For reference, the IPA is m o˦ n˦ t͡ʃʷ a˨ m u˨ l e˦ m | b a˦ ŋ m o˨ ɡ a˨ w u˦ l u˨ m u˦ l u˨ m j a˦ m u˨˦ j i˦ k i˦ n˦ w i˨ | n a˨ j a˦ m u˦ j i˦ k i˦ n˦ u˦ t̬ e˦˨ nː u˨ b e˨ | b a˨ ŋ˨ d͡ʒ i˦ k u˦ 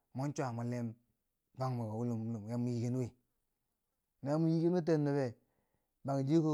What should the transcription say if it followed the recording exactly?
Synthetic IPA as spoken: m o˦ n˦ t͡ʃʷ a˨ m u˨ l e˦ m | b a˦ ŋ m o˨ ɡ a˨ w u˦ l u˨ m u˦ l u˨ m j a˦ m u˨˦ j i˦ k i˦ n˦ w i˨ | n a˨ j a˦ m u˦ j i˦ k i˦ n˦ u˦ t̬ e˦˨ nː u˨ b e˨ | b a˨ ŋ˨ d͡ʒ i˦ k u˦